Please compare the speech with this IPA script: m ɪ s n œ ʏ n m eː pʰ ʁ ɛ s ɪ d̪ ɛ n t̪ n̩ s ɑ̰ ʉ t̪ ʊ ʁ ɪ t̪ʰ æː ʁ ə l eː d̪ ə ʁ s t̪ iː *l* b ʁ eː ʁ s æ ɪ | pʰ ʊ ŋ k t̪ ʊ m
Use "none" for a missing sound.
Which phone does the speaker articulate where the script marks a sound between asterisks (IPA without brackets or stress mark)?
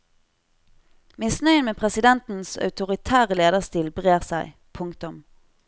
l